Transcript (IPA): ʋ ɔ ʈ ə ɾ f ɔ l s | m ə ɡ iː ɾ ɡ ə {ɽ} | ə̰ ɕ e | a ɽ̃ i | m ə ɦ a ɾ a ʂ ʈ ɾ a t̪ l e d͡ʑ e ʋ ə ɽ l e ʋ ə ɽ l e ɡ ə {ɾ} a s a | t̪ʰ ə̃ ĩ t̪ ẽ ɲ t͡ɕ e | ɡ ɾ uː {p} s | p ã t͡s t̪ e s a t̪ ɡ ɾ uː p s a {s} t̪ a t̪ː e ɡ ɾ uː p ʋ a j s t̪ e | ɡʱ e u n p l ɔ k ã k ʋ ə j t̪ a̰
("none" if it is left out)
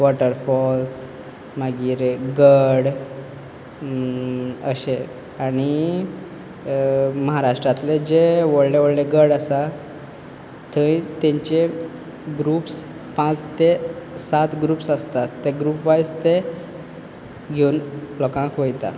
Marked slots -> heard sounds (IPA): ɽ, ɽ, p, s

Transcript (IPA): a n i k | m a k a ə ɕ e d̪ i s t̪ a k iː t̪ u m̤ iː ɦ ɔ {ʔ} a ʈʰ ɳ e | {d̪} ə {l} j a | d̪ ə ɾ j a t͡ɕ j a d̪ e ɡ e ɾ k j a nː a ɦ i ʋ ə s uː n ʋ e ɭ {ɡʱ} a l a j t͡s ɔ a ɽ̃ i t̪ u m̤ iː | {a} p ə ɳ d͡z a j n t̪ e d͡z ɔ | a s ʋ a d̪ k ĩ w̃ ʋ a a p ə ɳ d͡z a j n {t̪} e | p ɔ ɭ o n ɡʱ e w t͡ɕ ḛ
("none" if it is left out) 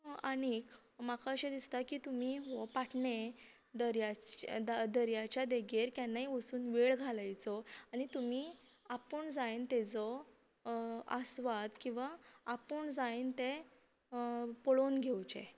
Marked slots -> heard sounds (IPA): p, d̪, ɾ, ɡʱ, a, t̪

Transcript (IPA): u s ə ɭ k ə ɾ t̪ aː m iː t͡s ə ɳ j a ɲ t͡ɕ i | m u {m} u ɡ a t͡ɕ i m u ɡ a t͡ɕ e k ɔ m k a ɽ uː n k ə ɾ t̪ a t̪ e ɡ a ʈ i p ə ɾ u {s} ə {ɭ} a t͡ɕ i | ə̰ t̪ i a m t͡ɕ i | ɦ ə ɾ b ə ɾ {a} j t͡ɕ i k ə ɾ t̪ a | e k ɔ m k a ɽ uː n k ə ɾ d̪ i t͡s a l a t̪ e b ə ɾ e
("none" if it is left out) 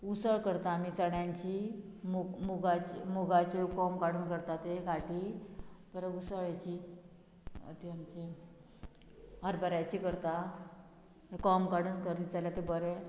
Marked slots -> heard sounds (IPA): m, s, ɭ, a

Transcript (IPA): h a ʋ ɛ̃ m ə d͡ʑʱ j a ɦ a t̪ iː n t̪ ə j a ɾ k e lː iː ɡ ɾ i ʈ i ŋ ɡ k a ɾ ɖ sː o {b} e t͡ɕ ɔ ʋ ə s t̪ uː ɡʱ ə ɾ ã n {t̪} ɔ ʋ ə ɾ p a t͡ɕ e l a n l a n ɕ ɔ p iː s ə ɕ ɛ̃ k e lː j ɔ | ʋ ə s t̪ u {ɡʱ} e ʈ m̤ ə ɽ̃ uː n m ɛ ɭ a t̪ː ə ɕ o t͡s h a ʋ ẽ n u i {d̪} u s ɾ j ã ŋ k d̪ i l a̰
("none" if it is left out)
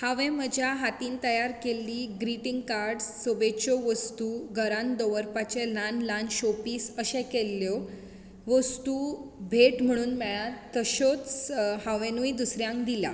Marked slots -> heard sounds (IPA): b, d̪, bʱ, d̪

